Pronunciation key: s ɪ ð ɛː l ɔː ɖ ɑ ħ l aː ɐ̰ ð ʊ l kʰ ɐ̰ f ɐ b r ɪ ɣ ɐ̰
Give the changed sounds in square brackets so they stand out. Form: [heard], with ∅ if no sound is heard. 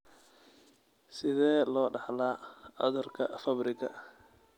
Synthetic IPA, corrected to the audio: s ɪ ð ɛː l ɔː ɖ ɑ ħ l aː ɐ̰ ð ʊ [r] kʰ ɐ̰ f ɐ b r ɪ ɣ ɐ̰